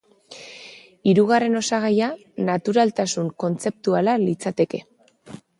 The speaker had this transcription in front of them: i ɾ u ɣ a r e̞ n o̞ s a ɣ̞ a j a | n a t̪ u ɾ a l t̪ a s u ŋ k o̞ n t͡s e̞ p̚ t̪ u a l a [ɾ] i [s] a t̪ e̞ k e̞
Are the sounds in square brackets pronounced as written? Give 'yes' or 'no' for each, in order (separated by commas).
no, no